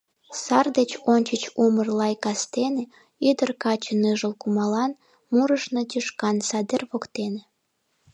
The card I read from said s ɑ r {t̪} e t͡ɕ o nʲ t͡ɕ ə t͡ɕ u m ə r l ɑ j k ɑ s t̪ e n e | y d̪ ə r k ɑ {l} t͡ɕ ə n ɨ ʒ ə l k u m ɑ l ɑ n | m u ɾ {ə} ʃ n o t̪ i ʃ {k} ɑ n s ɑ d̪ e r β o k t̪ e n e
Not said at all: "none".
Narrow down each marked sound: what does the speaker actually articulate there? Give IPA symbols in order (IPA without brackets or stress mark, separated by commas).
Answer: d̪, none, ə, k